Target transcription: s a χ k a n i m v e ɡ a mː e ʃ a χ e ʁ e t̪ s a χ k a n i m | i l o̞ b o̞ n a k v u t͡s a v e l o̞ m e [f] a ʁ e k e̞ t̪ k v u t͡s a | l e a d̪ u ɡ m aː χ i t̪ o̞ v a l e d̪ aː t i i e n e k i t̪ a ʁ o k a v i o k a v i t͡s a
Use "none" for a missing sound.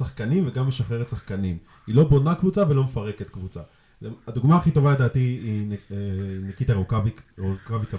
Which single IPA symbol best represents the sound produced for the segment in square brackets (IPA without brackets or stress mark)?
f